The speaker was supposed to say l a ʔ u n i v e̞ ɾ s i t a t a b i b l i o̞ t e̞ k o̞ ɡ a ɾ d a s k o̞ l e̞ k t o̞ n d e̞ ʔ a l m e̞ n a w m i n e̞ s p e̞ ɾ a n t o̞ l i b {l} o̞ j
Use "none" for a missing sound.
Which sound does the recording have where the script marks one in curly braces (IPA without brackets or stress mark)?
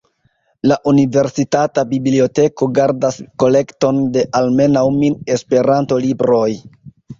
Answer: ɾ